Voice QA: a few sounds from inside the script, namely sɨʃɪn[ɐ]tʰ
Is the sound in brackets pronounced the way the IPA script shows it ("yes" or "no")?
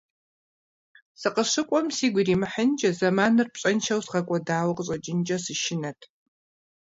yes